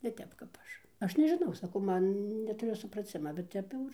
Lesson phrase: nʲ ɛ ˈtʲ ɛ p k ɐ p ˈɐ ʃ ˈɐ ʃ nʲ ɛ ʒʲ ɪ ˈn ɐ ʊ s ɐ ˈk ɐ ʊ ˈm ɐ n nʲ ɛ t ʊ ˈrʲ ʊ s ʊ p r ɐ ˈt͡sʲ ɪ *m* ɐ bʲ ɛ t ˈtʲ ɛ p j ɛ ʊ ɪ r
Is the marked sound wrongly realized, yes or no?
no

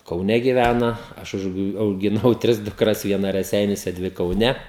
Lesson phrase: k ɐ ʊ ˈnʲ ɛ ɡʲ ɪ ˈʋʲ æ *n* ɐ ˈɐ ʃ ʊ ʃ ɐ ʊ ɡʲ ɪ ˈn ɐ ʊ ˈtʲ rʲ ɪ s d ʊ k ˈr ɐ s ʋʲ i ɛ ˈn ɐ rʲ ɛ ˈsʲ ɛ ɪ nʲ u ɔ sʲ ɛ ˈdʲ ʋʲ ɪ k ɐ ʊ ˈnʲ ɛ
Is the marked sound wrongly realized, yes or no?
no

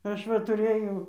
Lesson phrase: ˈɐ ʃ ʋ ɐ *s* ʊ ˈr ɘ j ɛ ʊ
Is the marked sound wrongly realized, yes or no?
yes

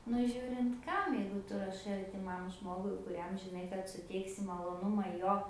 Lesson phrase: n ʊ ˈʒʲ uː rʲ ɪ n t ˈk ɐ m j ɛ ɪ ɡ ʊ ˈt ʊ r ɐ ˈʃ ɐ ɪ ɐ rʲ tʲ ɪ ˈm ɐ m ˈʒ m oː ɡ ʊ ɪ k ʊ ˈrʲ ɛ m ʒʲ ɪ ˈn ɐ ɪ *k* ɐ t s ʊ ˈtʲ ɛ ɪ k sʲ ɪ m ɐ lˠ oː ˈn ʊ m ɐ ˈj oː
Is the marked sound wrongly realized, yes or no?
no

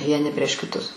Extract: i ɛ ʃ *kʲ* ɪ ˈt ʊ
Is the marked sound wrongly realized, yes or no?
no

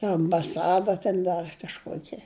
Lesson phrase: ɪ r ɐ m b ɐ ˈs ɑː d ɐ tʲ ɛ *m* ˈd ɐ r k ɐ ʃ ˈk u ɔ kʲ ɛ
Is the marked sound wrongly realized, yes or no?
yes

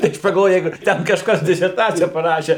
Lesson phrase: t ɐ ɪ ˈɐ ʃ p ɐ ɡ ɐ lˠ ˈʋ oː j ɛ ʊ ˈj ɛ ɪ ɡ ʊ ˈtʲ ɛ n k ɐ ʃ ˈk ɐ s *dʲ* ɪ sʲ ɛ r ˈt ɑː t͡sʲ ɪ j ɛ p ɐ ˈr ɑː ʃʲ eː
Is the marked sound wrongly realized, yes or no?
no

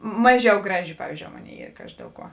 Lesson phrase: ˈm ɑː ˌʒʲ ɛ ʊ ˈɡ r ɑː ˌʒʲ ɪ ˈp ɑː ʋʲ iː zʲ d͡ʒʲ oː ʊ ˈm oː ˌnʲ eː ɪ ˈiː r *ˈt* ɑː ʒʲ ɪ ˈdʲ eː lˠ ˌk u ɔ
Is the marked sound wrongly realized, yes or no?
yes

